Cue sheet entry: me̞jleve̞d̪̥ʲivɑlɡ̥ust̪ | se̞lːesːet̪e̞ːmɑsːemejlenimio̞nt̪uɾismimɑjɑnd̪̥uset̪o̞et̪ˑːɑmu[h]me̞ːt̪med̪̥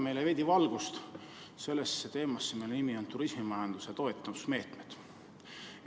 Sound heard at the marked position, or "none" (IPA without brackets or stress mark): s